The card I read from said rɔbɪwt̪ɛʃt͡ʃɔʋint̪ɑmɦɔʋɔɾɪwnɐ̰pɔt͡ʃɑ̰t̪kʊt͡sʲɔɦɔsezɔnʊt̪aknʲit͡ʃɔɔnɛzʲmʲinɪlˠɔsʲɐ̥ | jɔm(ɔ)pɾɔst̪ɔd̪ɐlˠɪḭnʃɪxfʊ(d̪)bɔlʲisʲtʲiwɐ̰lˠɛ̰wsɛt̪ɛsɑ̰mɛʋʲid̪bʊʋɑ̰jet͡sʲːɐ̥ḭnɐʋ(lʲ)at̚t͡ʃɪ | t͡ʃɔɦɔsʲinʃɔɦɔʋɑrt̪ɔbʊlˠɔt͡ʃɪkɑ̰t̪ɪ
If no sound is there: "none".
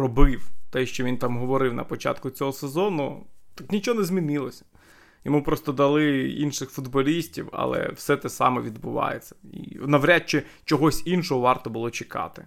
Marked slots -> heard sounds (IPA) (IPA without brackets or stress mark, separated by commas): u, d̪, ɾʲ